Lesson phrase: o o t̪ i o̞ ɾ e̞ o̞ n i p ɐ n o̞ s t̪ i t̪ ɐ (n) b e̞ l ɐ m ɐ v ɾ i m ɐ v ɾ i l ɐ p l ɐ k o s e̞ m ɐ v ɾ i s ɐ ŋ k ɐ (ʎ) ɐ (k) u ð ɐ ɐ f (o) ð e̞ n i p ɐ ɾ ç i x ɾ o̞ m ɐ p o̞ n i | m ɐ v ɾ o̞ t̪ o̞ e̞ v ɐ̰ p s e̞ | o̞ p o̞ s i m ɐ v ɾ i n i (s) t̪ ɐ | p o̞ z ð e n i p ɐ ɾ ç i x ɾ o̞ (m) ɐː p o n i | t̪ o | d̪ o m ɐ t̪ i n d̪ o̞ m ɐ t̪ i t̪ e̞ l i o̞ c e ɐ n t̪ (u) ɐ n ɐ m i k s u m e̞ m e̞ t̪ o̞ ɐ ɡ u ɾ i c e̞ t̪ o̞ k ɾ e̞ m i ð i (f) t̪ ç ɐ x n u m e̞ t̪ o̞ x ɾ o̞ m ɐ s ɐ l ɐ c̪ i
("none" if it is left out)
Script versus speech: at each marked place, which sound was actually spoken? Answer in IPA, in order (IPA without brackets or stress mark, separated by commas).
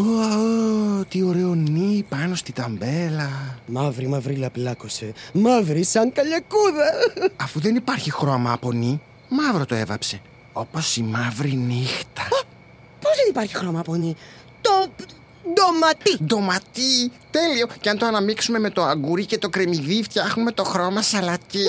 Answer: m, ʎ, k, u, x, m, o, f